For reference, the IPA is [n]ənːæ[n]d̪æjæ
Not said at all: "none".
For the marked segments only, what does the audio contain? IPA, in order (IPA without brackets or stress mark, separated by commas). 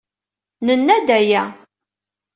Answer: n, none